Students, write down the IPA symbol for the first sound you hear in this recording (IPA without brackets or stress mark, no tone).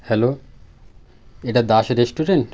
h